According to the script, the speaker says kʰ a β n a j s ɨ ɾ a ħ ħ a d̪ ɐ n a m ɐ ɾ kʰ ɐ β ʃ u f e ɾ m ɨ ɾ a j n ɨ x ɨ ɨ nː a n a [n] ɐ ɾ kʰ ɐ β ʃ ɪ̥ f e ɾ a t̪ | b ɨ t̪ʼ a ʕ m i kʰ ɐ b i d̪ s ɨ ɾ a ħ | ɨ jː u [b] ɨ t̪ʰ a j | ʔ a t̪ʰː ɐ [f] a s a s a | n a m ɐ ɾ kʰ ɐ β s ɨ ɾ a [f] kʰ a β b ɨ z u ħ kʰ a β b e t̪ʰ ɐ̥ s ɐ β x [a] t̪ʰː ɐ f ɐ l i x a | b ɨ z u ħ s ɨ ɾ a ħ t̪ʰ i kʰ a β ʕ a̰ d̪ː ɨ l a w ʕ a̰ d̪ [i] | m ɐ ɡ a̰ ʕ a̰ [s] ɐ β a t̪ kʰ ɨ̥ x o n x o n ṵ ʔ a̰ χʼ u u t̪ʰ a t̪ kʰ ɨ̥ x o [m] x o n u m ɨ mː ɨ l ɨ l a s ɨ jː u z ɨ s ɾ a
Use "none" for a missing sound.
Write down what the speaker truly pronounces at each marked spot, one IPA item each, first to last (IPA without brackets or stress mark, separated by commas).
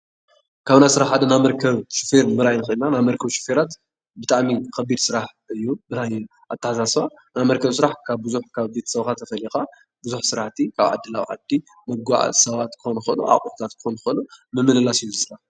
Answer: m, b, ħ, ħ, a, i, s, n